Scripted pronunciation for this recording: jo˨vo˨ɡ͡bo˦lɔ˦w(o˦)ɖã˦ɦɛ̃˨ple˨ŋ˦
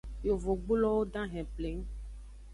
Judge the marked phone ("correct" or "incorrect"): correct